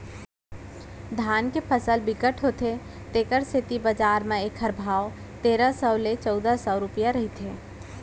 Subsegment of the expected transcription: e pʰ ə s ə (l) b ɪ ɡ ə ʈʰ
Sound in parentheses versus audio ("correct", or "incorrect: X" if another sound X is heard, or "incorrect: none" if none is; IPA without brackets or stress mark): correct